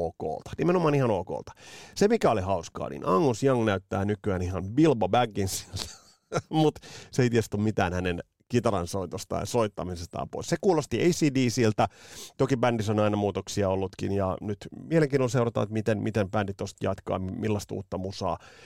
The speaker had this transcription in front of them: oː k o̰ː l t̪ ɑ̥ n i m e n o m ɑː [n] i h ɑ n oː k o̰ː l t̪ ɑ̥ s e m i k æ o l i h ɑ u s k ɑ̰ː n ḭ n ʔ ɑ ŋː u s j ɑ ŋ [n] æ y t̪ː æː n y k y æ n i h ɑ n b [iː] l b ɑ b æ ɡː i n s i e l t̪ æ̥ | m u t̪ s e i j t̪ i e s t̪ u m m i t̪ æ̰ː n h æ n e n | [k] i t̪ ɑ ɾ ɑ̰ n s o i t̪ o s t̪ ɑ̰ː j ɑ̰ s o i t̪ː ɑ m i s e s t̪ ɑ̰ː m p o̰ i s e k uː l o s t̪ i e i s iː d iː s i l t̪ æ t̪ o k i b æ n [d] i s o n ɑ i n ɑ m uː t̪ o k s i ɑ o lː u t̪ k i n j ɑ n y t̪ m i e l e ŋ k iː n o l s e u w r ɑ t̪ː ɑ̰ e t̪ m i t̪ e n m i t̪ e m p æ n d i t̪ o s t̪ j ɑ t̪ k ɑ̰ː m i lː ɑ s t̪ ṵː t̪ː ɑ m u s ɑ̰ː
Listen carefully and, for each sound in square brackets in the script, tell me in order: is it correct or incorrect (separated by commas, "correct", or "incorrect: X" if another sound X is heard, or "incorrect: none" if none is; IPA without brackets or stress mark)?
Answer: correct, correct, incorrect: i, correct, correct